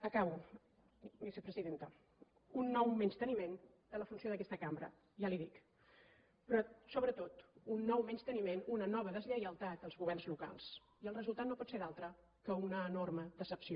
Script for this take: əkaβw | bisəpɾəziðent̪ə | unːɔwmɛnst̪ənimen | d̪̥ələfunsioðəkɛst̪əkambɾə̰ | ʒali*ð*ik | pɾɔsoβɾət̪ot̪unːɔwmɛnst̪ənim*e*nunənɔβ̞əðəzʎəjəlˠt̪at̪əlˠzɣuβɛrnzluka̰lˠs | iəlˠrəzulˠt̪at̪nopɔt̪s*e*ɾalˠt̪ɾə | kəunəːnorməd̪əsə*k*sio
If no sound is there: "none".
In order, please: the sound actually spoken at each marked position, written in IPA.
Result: ð, e, e, p

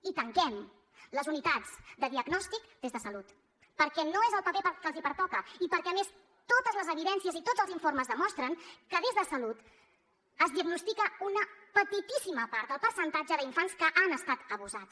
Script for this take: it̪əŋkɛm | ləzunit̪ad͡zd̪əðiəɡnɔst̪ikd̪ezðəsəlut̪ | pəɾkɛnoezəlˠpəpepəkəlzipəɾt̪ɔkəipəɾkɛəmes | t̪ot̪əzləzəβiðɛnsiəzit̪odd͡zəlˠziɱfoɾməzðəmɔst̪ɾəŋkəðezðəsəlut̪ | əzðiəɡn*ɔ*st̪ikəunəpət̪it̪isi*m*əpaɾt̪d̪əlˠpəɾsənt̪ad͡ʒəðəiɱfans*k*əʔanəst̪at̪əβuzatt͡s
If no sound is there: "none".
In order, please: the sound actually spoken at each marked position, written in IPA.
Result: u, m, k

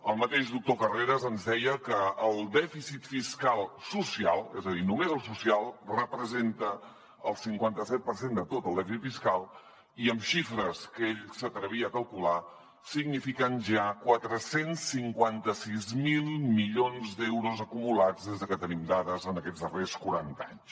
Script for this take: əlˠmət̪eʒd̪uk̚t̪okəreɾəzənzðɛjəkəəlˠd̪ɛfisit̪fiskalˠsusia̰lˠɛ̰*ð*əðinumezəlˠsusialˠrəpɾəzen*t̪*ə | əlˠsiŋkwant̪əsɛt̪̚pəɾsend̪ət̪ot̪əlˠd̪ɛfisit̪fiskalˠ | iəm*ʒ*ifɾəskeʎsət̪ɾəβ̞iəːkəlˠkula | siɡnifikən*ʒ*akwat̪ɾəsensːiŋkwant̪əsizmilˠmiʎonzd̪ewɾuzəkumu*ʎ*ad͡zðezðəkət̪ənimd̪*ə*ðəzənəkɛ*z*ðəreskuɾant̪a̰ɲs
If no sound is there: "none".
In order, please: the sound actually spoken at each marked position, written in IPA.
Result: z, t̪, ʃ, ʒ, l, a, d͡z

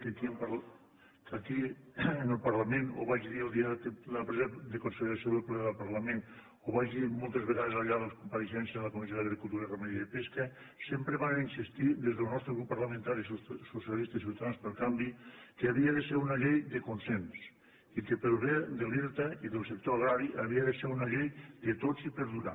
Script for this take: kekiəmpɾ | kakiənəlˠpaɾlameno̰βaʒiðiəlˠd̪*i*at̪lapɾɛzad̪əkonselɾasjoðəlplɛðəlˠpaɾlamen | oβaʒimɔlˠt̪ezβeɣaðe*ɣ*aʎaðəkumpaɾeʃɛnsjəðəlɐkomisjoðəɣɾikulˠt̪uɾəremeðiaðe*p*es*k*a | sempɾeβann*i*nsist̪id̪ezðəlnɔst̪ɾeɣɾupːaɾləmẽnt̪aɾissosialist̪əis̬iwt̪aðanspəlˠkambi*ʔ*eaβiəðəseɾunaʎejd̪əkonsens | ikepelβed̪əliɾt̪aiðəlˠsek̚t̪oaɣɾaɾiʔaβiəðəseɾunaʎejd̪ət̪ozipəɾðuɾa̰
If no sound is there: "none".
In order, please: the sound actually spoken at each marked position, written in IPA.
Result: i, z, p, k, i, k

